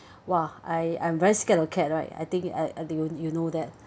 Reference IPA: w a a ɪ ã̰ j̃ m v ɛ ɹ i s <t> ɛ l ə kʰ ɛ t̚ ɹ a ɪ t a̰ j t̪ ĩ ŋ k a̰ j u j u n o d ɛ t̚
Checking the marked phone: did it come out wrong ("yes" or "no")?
yes